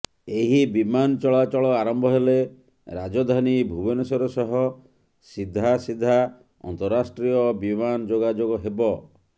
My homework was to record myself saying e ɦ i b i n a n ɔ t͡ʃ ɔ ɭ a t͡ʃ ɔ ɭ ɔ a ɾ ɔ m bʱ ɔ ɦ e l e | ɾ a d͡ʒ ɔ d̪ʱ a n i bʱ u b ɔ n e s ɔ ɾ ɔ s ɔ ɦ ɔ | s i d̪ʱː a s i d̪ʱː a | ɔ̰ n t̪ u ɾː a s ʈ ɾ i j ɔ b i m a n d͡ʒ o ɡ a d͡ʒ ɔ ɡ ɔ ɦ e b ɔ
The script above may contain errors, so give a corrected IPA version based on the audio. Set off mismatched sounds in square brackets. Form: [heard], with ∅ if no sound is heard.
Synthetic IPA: e ɦ i b i [m] a n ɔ t͡ʃ ɔ ɭ a t͡ʃ ɔ ɭ ɔ a ɾ ɔ m bʱ ɔ ɦ e l e | ɾ a d͡ʒ ɔ d̪ʱ a n i bʱ u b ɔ n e s ɔ ɾ ɔ s ɔ ɦ ɔ | s i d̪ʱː a s i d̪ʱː a | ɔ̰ n t̪ [ɔ] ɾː a s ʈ ɾ i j ɔ b i m a n d͡ʒ o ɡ a d͡ʒ [o] ɡ ɔ ɦ e b ɔ

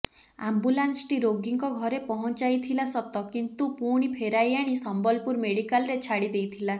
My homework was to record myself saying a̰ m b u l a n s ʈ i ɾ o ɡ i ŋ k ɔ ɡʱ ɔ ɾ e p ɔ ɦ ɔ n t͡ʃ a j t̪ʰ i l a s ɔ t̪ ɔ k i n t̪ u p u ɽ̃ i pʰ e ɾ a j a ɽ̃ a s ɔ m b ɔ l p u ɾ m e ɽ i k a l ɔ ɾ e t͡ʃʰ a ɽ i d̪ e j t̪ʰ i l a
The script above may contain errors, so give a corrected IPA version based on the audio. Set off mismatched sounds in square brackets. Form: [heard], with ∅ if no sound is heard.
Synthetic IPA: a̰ m b u l a n s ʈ i ɾ o ɡ i ŋ k ɔ ɡʱ ɔ ɾ e p ɔ ɦ ɔ n t͡ʃ a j t̪ʰ i l a s ɔ t̪ ɔ k i n t̪ u p u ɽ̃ i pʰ e ɾ a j a ɽ̃ [i] s ɔ m b ɔ l p u ɾ m e ɽ i k a l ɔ ɾ e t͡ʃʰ a ɽ i d̪ e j t̪ʰ i l a

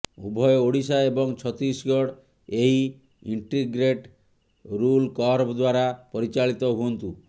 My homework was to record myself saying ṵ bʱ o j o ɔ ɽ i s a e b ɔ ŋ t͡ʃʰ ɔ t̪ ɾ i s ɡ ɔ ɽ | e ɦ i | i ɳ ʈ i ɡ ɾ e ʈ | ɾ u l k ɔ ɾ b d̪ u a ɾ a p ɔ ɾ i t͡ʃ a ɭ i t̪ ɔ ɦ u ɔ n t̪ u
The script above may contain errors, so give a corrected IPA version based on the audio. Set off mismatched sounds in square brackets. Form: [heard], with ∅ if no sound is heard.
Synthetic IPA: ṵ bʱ [ɔ] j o [o] ɽ i s a e b ɔ ŋ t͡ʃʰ ɔ t̪ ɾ i s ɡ ɔ ɽ | e ɦ i | i ɳ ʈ i ɡ ɾ e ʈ | ɾ u l k ɔ ɾ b d̪ [w] a ɾ a p ɔ ɾ i t͡ʃ a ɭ i t̪ ɔ ɦ u ɔ n t̪ u

